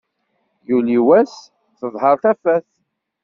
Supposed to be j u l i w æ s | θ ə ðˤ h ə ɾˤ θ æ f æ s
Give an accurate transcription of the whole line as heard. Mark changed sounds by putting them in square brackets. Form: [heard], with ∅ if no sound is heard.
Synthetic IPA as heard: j u l i w æ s | θ ə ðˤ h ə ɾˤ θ æ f æ [θ]